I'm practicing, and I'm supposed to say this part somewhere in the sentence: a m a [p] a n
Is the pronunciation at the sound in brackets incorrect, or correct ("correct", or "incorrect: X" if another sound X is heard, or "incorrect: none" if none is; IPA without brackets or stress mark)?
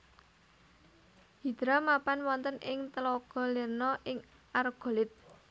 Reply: correct